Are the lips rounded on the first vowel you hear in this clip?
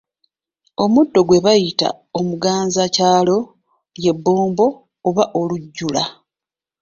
yes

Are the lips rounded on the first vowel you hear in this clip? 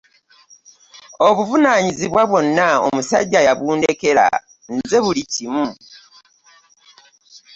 yes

